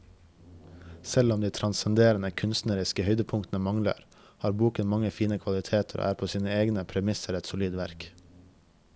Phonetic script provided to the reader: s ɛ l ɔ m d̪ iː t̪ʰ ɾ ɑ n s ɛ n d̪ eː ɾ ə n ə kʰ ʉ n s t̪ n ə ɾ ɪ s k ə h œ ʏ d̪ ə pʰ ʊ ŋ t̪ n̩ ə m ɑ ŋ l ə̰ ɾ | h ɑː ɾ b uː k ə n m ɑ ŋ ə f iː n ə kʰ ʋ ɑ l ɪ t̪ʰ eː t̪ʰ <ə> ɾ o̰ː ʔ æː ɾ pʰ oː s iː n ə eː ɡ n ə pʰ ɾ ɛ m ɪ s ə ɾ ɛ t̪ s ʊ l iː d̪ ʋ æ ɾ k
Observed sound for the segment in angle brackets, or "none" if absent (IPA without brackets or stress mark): ə